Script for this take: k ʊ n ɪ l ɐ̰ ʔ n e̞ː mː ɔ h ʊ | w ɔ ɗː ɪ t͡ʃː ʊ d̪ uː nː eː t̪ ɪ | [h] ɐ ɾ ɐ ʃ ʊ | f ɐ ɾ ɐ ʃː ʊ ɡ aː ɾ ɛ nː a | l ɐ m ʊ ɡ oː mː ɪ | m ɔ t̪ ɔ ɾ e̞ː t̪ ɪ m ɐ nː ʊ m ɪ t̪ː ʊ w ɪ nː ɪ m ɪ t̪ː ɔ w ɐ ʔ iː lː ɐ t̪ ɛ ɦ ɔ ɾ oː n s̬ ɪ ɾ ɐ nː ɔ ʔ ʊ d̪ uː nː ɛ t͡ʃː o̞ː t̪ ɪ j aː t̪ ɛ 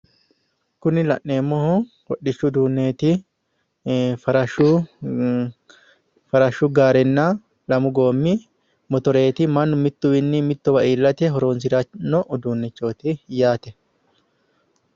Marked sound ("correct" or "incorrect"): incorrect